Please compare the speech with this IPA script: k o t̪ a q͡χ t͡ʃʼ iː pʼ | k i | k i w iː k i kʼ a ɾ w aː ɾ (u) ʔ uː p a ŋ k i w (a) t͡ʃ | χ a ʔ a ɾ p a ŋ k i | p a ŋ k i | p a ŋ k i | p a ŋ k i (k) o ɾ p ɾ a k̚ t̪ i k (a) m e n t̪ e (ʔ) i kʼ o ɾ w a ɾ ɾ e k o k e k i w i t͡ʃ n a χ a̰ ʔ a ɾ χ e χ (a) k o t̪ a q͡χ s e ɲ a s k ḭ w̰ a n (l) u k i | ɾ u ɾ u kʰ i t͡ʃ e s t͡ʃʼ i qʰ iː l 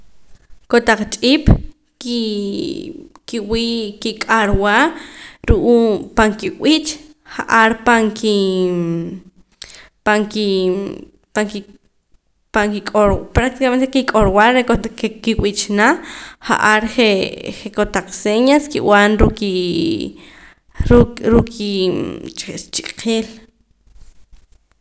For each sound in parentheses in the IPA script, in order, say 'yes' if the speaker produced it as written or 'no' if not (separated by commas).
yes, no, no, yes, no, no, no